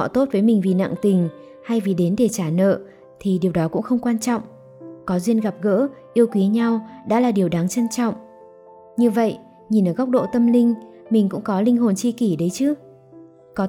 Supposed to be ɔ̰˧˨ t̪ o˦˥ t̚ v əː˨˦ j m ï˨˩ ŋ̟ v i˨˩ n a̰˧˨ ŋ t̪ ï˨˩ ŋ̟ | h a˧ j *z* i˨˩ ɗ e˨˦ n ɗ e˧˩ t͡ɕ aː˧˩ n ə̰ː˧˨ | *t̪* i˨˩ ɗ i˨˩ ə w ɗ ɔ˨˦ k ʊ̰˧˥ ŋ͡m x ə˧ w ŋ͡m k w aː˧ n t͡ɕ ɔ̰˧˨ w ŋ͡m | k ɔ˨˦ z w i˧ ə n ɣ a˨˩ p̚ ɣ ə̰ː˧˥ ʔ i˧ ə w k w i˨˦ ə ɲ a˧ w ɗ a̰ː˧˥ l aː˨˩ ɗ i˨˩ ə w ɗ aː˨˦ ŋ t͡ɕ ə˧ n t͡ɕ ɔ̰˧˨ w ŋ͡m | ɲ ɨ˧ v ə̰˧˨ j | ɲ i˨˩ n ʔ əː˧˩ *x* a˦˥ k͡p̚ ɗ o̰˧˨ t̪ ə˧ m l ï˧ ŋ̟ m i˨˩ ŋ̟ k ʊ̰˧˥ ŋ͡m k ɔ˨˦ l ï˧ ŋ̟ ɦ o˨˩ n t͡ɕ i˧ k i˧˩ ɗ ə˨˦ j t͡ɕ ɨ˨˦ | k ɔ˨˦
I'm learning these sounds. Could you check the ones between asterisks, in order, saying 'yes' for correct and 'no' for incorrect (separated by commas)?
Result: no, no, no